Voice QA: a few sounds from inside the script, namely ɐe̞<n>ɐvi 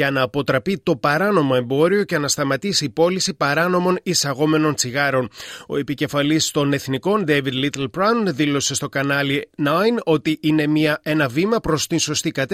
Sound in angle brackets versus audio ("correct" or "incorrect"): correct